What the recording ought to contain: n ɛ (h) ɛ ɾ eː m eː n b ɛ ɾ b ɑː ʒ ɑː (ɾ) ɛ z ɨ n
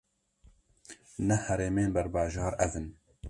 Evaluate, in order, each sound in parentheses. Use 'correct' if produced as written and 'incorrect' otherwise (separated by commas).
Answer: correct, correct